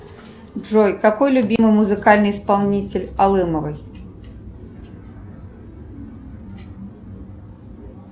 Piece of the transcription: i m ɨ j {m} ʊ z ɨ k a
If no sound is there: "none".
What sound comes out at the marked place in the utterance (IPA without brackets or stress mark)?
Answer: m